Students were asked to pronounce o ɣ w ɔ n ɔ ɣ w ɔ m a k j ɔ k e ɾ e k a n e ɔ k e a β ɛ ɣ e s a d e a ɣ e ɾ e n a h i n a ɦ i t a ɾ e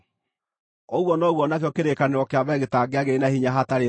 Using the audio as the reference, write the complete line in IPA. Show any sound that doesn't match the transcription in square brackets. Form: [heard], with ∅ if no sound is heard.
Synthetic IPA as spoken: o ɣ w ɔ n ɔ ɣ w ɔ [n] a k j ɔ k e ɾ e k a n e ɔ k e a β ɛ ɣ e [t] a [ɡ] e a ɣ e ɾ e n a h i [ɲ] a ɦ [a] t a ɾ e